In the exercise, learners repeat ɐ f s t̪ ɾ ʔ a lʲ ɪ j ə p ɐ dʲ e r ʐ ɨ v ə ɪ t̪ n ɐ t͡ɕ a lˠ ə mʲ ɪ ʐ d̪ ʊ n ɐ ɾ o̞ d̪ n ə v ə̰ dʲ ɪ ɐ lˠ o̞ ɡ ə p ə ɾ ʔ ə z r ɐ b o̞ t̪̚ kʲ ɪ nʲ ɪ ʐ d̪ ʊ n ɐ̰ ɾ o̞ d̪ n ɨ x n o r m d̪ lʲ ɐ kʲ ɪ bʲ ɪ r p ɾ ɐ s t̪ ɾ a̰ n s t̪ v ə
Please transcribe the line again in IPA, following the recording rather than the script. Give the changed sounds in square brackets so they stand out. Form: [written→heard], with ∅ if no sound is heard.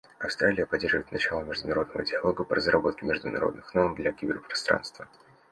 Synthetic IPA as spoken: ɐ f s t̪ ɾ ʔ a lʲ ɪ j ə p ɐ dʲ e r ʐ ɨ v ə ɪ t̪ n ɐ t͡ɕ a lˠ ə mʲ ɪ ʐ d̪ ʊ n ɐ ɾ o̞ d̪ n ə v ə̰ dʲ ɪ ɐ lˠ o̞ ɡ ə p ə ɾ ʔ ə z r ɐ b o̞ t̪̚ kʲ ɪ [nʲ→mʲ] ɪ ʐ d̪ ʊ n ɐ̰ ɾ o̞ d̪ n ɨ x n o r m d̪ lʲ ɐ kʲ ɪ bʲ ɪ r p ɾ ɐ s t̪ ɾ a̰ n s t̪ v ə

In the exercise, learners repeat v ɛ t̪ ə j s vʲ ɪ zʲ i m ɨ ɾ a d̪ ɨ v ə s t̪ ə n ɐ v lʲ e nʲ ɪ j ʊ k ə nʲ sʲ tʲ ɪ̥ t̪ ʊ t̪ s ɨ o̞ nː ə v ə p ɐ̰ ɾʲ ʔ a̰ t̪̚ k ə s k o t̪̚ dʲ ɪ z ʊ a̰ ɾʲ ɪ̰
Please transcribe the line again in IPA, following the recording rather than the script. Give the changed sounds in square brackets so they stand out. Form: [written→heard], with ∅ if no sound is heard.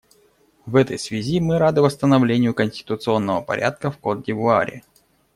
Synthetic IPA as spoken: v ɛ t̪ ə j s vʲ ɪ zʲ i m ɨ ɾ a d̪ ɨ v ə s t̪ ə n ɐ v lʲ e nʲ ɪ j ʊ k ə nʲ sʲ tʲ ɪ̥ t̪ ʊ t̪ s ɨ o̞ nː ə v ə p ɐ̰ ɾʲ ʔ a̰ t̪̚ k ə [s→f] k o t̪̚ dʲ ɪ [z→v] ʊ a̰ ɾʲ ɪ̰

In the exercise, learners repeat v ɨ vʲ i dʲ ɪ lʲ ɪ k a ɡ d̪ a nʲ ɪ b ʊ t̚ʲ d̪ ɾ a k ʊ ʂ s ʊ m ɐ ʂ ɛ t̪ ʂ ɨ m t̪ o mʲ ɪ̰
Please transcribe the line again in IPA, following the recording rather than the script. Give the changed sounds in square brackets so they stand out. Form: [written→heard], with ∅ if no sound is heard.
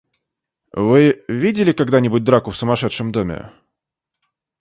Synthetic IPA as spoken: v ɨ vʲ i dʲ ɪ lʲ ɪ k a ɡ d̪ a nʲ ɪ b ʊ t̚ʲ d̪ ɾ a k ʊ [ʂ→f] s ʊ m ɐ ʂ ɛ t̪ ʂ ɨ m [t̪→d̪] o mʲ ɪ̰

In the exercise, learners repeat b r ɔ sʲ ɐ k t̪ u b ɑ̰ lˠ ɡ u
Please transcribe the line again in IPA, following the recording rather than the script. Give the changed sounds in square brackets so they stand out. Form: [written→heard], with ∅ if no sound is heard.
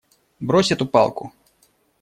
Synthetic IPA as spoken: b [r→ɾ] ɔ sʲ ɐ [k→∅] t̪ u [b→p] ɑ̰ lˠ [ɡ→k] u

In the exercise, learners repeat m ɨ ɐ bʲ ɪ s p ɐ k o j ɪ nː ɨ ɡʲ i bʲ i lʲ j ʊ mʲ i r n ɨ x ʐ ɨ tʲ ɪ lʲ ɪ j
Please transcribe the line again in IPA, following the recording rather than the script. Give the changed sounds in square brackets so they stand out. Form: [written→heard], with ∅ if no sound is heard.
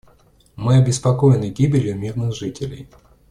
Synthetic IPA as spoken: m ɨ ɐ bʲ ɪ s p ɐ k o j ɪ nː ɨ ɡʲ i bʲ [i→ɪ] lʲ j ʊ mʲ i r n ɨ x ʐ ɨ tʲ ɪ lʲ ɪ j

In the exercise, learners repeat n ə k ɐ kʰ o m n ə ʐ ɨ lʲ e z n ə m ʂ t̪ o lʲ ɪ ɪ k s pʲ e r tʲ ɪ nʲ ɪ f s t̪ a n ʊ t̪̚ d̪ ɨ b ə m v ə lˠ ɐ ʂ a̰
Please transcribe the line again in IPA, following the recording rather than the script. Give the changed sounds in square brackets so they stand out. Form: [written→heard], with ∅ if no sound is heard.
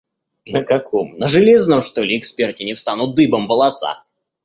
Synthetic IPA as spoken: n ə k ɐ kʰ o m n ə ʐ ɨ lʲ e z n ə m ʂ t̪ o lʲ ɪ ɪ k s pʲ e r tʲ ɪ nʲ ɪ f s t̪ a n ʊ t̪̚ d̪ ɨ b ə m v ə lˠ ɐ [ʂ→s] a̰

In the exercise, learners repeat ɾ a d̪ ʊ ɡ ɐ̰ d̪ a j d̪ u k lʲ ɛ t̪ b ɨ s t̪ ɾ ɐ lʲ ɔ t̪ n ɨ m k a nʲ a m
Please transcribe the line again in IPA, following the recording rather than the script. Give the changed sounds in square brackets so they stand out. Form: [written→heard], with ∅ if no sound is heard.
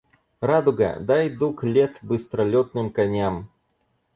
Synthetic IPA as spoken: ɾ a d̪ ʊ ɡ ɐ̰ d̪ a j d̪ u k lʲ ɛ t̪ b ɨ s t̪ ɾ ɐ lʲ ɔ t̪ n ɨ m k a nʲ a m

